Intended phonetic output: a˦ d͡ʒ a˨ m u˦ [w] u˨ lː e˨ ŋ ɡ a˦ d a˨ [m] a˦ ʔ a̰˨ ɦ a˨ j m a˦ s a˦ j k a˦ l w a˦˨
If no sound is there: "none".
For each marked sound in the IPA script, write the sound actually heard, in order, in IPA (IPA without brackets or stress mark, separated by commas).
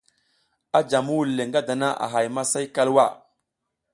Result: w, n